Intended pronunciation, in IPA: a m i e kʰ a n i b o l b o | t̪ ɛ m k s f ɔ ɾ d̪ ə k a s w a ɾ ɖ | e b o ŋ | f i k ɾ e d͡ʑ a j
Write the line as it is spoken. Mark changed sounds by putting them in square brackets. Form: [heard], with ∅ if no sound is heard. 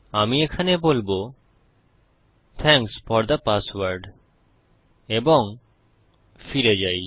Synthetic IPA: a m i e kʰ a n [e] b o l b o | [t̪ʰ] ɛ [ŋ] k s f ɔ ɾ d̪ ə [p] a s w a ɾ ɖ | e b o ŋ | f i [∅] ɾ e d͡ʑ a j